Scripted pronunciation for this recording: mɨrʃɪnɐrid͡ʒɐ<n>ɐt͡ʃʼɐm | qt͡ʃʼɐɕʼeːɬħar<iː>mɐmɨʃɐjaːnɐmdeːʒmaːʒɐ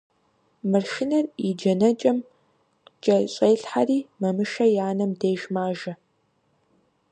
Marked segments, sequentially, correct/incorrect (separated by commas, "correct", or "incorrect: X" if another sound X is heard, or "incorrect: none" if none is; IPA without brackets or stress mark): correct, correct